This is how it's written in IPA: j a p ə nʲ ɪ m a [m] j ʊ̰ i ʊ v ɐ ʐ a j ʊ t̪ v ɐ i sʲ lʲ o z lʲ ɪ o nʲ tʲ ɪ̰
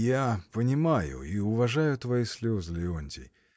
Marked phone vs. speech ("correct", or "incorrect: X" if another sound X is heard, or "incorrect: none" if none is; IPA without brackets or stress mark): incorrect: none